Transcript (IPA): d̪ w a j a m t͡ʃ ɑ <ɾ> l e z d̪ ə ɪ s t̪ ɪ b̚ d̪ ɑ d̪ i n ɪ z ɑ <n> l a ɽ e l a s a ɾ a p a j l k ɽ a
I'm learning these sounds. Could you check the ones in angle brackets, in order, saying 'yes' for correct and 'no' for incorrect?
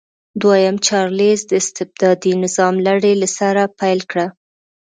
yes, no

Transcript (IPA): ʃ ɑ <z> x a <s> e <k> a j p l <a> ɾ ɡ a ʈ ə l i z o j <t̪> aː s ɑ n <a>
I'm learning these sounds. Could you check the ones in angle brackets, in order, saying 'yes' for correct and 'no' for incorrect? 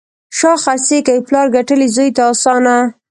no, yes, yes, no, yes, yes

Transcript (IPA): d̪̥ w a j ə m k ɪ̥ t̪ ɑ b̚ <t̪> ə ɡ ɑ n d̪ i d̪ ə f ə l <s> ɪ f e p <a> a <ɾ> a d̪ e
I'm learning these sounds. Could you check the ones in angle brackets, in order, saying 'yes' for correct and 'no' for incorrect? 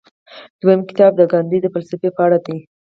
no, yes, no, no

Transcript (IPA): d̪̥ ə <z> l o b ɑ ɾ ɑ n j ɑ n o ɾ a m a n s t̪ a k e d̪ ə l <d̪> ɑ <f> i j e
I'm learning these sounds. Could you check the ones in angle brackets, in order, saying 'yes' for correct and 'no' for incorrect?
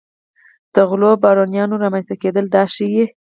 no, yes, no

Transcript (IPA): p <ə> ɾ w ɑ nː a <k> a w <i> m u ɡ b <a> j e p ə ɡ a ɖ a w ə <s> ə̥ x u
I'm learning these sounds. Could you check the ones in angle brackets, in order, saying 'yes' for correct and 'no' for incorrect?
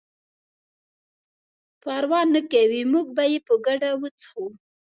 no, yes, yes, yes, no

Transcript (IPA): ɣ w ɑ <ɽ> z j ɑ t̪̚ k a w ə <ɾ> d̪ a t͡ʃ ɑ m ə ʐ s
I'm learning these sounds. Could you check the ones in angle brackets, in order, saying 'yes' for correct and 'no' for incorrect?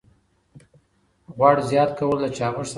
yes, no

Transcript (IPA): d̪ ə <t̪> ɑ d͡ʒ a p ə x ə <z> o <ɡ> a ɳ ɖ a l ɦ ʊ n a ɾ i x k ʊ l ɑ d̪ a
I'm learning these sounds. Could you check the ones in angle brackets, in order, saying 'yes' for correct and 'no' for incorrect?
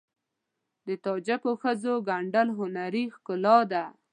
yes, yes, yes

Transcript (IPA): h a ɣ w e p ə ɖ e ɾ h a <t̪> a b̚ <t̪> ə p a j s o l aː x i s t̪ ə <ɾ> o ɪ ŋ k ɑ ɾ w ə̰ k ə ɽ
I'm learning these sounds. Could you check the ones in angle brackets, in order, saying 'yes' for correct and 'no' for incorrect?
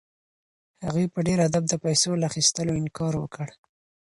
no, no, no

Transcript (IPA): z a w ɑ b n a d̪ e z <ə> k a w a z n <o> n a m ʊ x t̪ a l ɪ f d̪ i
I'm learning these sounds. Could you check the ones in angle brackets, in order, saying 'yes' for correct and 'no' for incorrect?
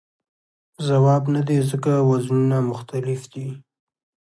yes, no

